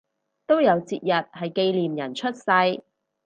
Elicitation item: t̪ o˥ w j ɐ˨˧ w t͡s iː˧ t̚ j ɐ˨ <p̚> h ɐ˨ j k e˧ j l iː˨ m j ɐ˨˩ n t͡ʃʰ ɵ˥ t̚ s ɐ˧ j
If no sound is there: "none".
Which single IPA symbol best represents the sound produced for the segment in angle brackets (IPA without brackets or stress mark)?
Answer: t̚